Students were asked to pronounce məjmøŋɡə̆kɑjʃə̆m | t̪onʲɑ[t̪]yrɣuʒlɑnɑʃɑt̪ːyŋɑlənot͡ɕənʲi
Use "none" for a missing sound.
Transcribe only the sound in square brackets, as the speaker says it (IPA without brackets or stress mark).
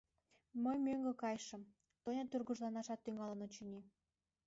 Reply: t̪